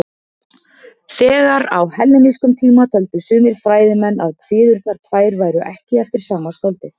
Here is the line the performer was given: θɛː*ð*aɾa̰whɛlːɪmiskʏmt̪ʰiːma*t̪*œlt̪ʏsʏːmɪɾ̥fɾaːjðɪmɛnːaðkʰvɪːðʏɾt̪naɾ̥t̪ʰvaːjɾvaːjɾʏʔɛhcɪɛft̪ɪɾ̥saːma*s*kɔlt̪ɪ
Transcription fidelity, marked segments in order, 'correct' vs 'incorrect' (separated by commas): incorrect, incorrect, correct